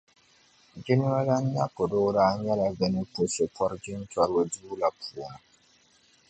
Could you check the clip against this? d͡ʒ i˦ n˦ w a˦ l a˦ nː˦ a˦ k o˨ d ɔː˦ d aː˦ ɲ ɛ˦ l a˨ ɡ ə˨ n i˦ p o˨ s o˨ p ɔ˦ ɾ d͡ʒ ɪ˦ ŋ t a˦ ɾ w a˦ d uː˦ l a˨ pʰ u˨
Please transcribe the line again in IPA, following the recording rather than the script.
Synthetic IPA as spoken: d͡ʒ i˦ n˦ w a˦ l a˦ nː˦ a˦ k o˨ d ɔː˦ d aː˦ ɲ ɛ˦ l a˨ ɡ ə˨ n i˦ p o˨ s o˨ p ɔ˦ ɾ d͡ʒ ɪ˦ n t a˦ ɾ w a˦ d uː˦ l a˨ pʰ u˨